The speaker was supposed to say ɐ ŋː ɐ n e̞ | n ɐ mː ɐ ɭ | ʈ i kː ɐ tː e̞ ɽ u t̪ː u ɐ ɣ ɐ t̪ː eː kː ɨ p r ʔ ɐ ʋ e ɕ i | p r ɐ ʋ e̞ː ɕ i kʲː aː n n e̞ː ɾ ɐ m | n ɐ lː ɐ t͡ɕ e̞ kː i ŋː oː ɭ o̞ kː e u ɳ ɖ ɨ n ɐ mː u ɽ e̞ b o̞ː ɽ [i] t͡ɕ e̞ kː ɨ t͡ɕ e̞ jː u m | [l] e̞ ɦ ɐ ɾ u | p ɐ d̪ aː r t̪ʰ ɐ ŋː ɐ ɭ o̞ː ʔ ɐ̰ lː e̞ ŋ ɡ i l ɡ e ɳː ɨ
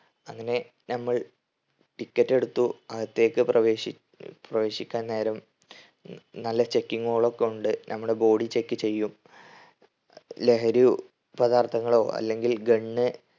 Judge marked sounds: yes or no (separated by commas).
yes, yes